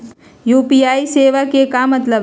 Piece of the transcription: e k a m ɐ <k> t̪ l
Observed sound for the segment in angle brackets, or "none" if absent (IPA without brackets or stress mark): none